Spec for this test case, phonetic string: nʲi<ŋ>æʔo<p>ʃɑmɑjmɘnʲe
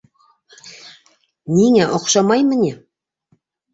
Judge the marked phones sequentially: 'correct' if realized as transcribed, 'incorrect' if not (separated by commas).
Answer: correct, incorrect